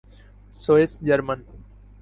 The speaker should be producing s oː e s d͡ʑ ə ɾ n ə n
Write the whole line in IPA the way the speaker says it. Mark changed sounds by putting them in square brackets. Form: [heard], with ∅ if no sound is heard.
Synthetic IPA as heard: s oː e s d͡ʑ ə ɾ [m] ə n